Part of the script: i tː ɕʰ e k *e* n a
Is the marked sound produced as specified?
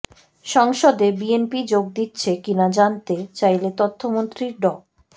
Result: no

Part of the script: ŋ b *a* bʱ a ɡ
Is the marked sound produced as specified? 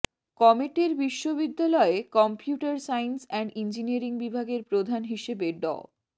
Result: no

